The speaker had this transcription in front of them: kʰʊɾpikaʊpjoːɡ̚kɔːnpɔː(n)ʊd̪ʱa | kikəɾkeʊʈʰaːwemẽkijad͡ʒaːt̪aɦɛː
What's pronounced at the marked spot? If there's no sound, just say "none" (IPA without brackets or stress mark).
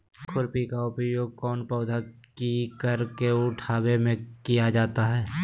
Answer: none